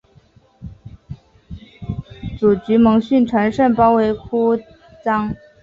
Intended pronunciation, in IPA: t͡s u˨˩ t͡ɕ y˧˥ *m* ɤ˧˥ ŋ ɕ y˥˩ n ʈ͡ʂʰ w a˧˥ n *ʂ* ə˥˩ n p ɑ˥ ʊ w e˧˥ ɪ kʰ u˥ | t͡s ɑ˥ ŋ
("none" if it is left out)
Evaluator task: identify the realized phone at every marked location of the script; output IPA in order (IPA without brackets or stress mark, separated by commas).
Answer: m, ʂ